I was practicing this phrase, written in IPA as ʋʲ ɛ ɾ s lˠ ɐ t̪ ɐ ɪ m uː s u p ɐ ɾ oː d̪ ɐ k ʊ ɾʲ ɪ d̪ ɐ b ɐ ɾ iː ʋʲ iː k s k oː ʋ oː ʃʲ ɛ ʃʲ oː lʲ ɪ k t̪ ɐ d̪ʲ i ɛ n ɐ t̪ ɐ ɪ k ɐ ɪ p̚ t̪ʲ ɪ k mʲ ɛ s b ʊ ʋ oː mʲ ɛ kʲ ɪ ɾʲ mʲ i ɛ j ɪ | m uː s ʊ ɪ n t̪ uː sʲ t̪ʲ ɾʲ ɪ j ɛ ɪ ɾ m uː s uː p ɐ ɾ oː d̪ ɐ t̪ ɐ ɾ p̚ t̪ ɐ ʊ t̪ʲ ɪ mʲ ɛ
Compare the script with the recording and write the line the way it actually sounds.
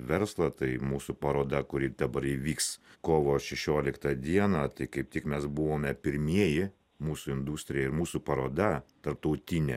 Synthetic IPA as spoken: ʋʲ ɛ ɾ s lˠ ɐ t̪ ɐ ɪ m uː s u p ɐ ɾ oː d̪ ɐ k ʊ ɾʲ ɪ d̪ ɐ b ɐ ɾ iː ʋʲ iː k s k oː ʋ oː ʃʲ ɛ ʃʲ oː lʲ ɪ k t̪ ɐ d̪ʲ i ɛ n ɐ t̪ ɐ ɪ k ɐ ɪ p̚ t̪ʲ ɪ k mʲ ɛ s b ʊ ʋ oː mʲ ɛ pʲ ɪ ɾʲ mʲ i ɛ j ɪ | m uː s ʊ ɪ n d̪ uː sʲ t̪ʲ ɾʲ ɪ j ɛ ɪ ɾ m uː s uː p ɐ ɾ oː d̪ ɐ t̪ ɐ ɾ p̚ t̪ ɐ ʊ t̪ʲ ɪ nʲ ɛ